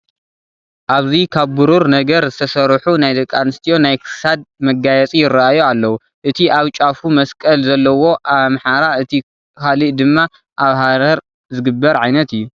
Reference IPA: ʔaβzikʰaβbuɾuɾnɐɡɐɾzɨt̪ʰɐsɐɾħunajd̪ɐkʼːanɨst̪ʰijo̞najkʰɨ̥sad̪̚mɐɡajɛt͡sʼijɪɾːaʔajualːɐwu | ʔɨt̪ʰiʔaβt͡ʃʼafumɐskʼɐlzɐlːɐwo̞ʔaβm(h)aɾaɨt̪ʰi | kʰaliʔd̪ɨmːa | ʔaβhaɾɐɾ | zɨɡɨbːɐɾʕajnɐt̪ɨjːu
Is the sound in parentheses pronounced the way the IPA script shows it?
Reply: no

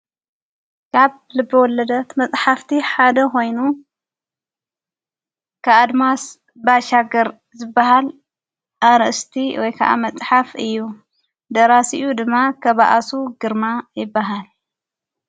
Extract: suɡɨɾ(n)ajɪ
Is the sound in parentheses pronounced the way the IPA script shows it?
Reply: no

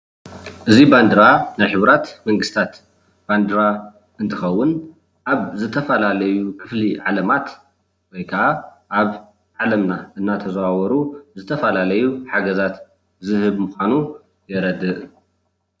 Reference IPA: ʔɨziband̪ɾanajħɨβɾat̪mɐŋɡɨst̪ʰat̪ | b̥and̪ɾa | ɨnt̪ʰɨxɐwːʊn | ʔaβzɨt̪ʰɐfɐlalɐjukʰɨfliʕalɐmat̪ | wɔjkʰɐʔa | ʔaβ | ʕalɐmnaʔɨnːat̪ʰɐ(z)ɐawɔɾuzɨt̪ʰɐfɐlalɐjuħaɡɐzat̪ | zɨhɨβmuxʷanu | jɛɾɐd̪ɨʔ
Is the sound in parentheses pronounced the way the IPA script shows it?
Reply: yes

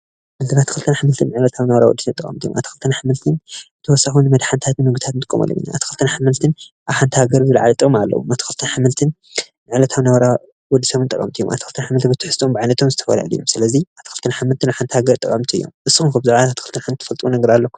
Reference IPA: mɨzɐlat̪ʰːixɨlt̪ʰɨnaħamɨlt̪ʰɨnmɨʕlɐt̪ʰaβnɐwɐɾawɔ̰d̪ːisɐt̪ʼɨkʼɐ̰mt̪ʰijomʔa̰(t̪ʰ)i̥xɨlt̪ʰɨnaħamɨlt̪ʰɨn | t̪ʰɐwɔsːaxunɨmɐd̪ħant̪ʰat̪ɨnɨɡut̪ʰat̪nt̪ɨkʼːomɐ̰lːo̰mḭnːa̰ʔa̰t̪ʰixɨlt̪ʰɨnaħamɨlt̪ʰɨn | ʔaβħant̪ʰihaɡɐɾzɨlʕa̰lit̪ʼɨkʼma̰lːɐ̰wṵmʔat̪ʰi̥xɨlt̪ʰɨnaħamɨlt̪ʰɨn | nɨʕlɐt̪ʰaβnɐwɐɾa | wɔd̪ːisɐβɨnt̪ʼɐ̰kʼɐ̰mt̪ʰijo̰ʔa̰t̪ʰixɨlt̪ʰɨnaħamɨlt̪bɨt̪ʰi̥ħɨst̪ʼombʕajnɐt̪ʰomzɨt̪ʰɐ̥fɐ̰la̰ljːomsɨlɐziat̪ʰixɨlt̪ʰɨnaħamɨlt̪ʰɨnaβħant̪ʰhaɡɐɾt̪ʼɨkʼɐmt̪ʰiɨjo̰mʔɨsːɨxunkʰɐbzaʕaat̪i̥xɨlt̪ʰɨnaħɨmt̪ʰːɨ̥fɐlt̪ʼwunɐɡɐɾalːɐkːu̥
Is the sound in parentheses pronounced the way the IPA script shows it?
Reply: no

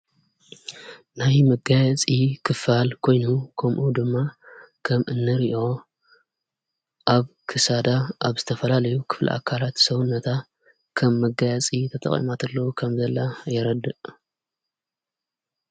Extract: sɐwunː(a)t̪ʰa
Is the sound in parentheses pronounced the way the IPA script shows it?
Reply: no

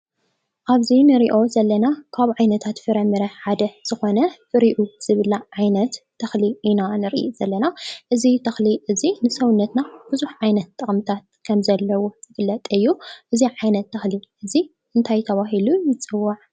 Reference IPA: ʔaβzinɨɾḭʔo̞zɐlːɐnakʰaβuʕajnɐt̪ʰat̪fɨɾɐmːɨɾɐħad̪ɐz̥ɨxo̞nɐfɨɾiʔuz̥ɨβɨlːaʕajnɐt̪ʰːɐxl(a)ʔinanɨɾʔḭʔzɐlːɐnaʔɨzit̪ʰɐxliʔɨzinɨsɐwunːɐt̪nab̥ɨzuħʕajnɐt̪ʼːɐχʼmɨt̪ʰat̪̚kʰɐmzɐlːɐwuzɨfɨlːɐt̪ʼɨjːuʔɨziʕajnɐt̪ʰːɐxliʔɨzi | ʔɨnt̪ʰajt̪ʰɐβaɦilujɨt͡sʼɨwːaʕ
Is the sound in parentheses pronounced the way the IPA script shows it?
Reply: no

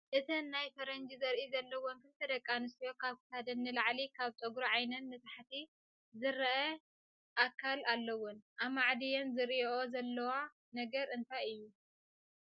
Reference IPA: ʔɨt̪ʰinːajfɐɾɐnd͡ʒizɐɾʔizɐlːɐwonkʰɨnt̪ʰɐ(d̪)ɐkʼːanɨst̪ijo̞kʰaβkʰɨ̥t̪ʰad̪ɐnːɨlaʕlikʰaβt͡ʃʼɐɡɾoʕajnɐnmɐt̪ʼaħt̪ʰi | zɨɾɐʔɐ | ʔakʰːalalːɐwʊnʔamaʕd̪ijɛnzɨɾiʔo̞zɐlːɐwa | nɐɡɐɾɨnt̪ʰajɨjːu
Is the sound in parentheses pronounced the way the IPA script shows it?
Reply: yes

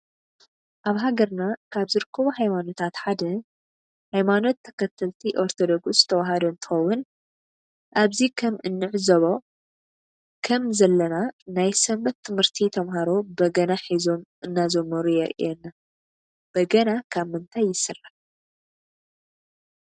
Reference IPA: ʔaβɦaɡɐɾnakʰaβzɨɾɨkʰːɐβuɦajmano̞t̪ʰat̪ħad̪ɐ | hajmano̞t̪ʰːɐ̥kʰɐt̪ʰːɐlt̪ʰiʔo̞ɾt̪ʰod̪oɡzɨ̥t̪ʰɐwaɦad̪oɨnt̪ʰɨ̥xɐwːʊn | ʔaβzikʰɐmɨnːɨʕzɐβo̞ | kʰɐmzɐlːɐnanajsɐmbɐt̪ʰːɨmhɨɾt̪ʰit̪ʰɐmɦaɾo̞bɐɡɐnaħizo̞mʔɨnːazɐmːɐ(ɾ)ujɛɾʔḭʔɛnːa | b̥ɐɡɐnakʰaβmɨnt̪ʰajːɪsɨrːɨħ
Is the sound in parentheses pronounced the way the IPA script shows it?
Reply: yes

